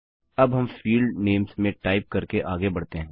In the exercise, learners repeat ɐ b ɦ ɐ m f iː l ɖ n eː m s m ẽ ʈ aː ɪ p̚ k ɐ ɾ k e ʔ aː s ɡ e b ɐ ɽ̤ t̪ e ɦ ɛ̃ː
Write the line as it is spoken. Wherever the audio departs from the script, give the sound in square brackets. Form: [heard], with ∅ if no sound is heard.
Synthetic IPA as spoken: ɐ b ɦ ɐ m f iː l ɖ n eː m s m ẽ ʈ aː ɪ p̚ k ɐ ɾ k e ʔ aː [∅] ɡ e b ɐ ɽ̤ t̪ e ɦ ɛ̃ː